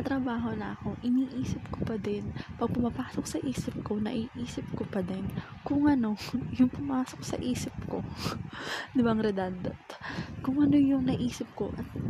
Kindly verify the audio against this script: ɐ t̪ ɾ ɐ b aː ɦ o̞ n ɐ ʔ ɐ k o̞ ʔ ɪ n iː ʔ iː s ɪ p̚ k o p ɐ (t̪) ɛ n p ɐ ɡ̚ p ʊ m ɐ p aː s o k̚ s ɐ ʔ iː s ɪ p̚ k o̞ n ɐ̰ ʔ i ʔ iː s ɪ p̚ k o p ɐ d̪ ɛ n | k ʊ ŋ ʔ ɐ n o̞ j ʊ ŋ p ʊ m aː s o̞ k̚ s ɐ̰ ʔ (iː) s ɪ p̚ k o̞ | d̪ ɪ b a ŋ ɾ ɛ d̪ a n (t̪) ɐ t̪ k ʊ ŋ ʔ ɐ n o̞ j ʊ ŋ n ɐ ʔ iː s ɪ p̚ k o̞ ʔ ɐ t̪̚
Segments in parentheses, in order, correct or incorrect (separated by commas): incorrect, correct, incorrect